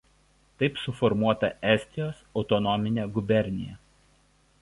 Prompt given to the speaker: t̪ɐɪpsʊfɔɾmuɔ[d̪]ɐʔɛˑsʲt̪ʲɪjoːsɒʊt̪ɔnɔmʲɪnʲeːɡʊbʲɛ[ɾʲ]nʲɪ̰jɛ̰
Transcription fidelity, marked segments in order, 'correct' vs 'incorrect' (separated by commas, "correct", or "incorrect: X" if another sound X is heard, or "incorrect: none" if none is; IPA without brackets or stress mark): incorrect: t̪, correct